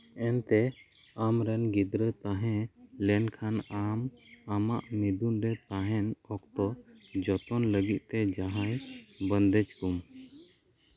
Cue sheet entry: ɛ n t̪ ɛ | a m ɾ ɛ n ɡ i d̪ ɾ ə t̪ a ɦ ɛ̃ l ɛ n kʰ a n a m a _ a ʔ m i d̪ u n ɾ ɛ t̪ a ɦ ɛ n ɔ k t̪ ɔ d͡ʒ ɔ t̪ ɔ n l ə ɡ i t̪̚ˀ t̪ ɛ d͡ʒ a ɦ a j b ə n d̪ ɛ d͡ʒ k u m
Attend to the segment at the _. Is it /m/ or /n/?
m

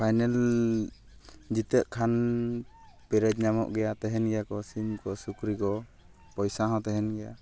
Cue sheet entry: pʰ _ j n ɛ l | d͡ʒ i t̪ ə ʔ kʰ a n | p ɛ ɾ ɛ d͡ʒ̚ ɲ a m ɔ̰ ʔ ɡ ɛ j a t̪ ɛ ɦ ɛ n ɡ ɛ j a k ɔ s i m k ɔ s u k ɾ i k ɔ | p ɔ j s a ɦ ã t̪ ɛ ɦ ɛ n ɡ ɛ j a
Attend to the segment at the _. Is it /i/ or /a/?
a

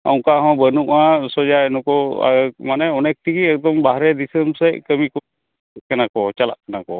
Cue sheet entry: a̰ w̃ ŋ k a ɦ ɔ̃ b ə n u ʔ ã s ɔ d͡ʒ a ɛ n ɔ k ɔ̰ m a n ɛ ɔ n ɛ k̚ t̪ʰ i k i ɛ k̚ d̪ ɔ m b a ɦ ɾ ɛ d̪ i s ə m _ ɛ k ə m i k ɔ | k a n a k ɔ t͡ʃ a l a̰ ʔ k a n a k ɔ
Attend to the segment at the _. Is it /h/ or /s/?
s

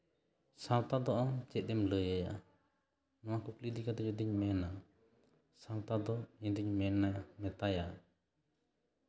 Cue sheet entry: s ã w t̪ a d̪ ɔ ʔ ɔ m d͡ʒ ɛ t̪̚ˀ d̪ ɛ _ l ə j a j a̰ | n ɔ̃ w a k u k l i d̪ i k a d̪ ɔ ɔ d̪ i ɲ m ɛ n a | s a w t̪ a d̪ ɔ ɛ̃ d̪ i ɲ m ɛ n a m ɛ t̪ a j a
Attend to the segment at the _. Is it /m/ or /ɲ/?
m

